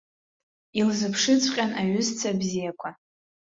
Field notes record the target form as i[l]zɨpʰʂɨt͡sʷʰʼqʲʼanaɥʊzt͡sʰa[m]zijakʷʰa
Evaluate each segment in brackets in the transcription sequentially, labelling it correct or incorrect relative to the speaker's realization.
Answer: correct, incorrect: b

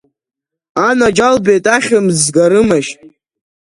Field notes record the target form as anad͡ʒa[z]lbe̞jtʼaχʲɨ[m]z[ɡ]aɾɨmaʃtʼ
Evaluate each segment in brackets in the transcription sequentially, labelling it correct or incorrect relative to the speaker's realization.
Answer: incorrect: none, correct, correct

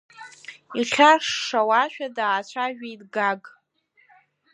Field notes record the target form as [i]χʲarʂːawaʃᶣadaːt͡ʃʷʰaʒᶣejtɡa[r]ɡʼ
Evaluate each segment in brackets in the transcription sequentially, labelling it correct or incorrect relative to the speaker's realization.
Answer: correct, incorrect: none

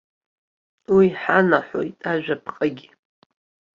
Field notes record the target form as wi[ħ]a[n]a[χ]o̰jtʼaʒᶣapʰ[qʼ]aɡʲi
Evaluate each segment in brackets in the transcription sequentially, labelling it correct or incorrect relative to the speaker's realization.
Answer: correct, correct, incorrect: ħ, correct

